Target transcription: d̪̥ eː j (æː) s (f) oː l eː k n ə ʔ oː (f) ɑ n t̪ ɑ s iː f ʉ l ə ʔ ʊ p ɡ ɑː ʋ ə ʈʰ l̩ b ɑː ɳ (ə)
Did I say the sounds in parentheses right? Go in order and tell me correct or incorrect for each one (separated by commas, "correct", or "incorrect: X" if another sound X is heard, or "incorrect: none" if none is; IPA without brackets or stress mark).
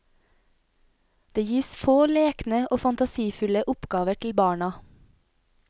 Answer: incorrect: iː, correct, correct, incorrect: ɑ